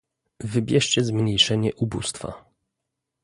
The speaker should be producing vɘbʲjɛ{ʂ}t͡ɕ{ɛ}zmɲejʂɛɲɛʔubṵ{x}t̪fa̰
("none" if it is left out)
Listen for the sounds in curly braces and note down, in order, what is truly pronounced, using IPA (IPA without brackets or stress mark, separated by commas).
ʂ, ɛ, s